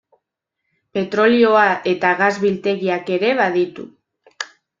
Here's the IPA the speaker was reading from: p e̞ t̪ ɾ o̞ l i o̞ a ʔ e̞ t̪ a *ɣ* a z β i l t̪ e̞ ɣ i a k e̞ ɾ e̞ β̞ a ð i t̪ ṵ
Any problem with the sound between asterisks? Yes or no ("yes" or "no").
no